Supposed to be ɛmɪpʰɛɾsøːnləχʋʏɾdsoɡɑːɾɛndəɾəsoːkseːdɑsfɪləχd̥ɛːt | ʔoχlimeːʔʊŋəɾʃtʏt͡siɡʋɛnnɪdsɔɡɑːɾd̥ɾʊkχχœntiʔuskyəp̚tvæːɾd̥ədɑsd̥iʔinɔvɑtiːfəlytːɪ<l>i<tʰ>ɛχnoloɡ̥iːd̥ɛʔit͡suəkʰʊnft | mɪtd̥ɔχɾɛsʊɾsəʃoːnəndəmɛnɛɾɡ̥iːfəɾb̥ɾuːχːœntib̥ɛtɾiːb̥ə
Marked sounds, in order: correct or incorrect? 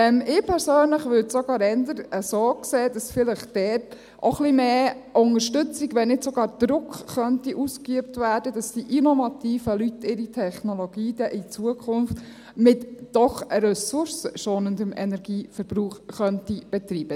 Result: incorrect: ɾ, correct

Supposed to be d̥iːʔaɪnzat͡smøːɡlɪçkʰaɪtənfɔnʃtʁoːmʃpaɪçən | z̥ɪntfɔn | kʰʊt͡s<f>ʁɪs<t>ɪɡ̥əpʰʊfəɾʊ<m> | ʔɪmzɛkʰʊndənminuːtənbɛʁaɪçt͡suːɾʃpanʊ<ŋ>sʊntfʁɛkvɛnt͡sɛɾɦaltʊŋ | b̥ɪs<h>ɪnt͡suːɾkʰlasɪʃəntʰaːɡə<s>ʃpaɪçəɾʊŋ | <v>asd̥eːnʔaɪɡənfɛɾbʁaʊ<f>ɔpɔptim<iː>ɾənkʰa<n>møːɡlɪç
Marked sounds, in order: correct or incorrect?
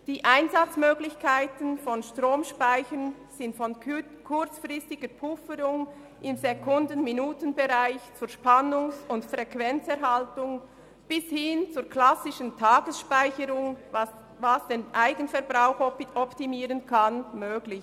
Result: correct, correct, incorrect: ŋ, correct, correct, correct, correct, incorrect: x, correct, correct

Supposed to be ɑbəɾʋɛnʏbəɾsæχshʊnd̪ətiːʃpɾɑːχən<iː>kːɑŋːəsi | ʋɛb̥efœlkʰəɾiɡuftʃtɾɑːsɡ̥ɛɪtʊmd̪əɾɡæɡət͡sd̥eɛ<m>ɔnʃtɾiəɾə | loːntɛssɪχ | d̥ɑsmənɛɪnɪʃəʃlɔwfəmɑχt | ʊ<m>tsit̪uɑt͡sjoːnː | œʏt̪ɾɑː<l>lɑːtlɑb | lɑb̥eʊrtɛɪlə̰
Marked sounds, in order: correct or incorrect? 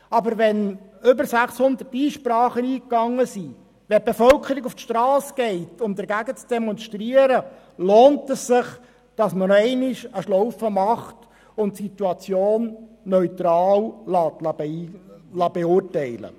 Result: correct, correct, incorrect: n, correct

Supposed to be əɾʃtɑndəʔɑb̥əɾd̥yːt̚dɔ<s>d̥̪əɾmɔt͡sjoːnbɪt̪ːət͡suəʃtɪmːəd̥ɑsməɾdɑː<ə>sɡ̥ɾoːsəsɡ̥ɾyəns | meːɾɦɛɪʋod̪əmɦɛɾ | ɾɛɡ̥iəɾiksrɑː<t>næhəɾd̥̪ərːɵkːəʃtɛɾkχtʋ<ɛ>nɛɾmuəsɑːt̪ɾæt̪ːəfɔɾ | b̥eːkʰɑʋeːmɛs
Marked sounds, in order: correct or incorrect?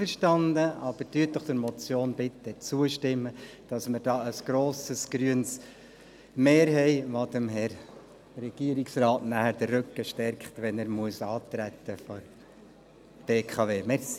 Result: incorrect: χ, correct, correct, correct

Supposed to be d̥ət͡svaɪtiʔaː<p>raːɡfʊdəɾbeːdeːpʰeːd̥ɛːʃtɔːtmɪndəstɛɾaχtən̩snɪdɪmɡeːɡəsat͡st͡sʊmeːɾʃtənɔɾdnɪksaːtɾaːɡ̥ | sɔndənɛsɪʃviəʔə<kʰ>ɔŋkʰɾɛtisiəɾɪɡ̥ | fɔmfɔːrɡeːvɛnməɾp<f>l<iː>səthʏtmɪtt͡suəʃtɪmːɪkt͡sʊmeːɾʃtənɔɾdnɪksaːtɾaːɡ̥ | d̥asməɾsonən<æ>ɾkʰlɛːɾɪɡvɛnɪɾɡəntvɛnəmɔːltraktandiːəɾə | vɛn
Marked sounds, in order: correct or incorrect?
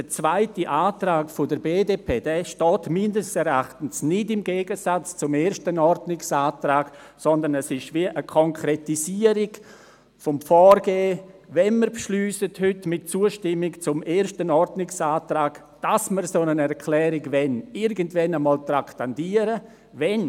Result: incorrect: t, correct, incorrect: ʃ, incorrect: yː, incorrect: ɛ

